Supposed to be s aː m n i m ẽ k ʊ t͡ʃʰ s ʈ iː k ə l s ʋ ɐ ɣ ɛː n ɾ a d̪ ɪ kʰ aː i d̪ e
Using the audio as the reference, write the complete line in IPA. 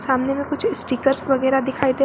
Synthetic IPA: s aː m n e m ẽ k ʊ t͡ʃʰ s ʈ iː k ə ɾ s ʋ ɐ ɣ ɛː ɾ a d̪ ɪ kʰ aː i d̪ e